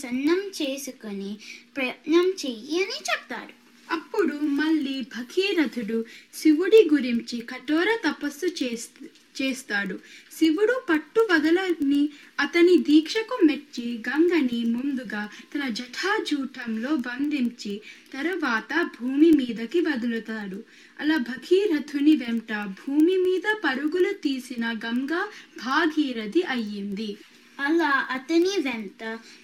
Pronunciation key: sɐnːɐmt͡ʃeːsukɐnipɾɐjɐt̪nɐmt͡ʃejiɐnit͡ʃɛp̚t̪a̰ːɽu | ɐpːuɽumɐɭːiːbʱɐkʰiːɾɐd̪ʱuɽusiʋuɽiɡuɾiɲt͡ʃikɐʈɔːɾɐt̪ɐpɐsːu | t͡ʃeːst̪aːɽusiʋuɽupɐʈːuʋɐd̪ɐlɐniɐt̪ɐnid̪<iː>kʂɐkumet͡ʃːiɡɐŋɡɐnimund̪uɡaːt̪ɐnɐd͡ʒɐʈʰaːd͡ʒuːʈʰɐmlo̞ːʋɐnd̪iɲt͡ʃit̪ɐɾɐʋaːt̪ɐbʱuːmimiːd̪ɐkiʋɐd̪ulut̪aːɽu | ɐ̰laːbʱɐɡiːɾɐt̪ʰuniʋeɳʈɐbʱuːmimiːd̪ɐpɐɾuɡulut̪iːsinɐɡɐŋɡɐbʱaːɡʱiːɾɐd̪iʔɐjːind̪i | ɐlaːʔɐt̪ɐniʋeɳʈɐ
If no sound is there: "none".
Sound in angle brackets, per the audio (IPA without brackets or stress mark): iː